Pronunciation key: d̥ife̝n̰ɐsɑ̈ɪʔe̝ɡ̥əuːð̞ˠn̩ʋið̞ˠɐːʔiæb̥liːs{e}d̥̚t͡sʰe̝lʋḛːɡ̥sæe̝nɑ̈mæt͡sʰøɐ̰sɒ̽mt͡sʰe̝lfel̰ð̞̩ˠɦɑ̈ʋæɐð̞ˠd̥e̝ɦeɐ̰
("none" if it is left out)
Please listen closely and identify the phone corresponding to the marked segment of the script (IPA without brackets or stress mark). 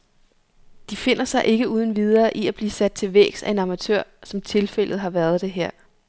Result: æ